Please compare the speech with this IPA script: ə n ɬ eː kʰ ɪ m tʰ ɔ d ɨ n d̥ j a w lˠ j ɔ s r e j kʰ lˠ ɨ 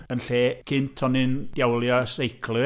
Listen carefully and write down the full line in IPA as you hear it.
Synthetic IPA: ə n ɬ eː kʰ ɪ n tʰ ɔ n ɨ n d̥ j a w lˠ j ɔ s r e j kʰ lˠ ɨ